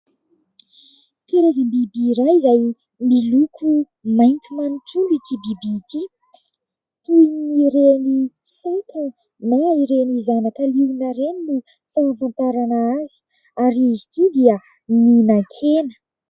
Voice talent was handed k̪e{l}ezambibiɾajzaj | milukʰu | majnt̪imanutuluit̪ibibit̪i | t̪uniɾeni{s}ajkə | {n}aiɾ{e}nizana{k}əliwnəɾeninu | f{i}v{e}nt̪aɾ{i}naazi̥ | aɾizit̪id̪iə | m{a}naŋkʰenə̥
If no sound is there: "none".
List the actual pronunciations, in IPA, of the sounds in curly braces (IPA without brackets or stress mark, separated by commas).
ɾ, s, n, e, k, a, a, a, i